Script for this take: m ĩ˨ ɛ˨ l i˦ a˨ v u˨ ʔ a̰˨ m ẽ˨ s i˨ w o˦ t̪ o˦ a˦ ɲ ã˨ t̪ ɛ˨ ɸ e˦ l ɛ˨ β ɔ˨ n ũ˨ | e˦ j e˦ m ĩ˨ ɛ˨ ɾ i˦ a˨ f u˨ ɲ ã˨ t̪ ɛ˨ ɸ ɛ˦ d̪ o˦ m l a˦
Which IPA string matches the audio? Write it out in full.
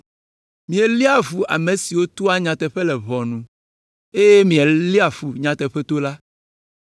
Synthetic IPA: m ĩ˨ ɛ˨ l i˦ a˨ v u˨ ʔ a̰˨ m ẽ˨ s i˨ w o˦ t̪ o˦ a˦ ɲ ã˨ t̪ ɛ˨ ɸ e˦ l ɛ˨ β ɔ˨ n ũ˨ | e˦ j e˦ m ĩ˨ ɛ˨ l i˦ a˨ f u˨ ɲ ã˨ t̪ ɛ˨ ɸ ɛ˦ t̪ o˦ l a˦